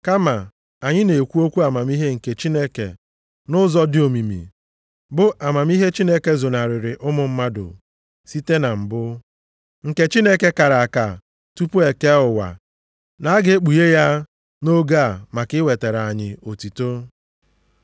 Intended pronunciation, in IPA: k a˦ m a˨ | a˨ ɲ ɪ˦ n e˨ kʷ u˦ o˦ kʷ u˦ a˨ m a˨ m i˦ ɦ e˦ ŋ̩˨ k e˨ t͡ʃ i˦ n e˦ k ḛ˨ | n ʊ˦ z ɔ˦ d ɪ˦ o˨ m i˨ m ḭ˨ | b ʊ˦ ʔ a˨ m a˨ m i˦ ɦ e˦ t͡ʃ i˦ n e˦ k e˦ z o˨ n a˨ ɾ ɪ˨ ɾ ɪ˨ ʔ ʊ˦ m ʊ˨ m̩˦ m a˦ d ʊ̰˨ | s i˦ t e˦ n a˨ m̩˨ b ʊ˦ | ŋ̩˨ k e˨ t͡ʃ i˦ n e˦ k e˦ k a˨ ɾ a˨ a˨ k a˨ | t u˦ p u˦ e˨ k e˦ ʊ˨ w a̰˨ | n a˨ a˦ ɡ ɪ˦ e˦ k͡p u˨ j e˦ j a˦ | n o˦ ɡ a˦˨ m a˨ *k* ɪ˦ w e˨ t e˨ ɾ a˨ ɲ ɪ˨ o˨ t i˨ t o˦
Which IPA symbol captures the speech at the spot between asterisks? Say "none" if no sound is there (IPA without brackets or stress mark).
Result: k